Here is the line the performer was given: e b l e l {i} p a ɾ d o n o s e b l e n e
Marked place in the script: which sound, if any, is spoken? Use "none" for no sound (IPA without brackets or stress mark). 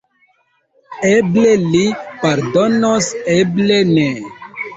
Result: i